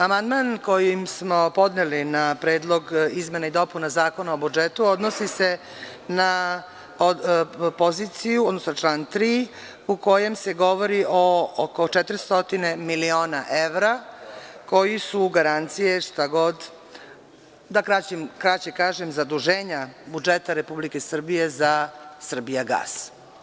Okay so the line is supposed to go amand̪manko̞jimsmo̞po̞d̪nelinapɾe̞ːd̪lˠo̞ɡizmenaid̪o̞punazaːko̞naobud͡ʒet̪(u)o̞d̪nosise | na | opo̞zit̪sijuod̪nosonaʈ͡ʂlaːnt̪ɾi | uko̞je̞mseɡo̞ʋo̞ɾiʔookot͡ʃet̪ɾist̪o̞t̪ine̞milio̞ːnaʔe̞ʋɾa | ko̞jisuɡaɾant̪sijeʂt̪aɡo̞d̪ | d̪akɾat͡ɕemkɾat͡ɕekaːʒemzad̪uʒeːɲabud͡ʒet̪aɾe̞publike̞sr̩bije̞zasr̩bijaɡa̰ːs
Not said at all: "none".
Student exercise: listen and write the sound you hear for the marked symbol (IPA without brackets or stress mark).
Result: u